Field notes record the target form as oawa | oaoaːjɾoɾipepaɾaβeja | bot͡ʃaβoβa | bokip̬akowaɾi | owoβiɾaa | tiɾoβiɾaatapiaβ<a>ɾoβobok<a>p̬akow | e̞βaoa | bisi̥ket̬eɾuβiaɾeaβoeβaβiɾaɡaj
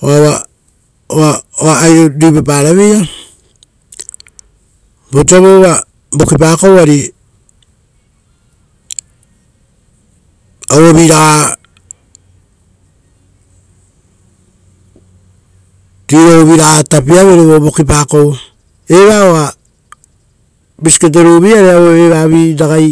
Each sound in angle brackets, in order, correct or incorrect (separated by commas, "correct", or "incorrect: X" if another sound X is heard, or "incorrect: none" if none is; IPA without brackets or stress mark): incorrect: e, incorrect: i